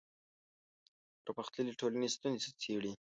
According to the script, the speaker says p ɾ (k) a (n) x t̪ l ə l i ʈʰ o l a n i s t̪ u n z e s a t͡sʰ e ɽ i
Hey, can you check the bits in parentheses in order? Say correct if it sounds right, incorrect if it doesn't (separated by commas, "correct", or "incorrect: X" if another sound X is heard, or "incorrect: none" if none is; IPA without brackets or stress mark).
incorrect: p, incorrect: none